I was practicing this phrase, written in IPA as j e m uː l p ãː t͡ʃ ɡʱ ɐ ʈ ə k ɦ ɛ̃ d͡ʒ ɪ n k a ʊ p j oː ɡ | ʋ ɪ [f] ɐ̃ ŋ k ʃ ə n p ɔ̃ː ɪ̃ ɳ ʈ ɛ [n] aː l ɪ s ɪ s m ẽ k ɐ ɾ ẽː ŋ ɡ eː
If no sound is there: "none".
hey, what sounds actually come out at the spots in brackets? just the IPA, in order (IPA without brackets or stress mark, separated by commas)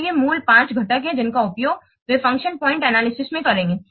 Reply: f, n